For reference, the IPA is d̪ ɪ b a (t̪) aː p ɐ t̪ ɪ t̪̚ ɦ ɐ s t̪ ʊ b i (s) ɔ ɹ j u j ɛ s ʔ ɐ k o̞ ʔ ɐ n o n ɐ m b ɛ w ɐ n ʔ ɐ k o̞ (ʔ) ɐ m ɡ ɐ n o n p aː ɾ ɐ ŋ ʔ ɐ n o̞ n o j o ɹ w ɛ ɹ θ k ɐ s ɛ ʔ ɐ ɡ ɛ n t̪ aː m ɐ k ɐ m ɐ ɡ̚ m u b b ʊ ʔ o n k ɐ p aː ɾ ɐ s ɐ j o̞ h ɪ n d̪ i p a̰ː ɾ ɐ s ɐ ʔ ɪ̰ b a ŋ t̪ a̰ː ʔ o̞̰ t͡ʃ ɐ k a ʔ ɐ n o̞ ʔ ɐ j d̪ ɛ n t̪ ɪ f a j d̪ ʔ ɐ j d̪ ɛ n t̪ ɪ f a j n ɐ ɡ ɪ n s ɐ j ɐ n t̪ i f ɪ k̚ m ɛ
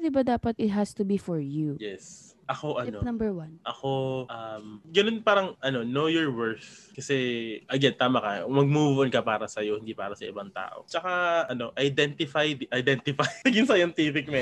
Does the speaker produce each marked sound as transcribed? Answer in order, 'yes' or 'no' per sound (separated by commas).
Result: no, no, yes